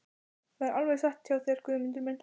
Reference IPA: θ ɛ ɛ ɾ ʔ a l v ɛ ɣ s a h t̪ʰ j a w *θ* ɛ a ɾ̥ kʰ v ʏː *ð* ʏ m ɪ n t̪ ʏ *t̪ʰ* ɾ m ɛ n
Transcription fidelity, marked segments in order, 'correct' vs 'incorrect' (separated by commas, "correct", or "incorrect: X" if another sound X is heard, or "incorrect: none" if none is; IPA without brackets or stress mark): correct, correct, incorrect: none